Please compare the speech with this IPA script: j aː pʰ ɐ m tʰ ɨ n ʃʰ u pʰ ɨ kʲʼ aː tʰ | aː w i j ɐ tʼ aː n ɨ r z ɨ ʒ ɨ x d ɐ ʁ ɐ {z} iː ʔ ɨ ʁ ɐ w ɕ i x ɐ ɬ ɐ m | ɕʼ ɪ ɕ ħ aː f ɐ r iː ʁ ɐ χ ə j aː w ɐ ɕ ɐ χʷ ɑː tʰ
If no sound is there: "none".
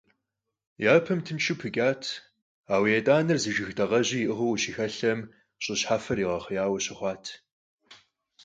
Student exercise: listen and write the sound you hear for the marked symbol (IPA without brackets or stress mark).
ʑ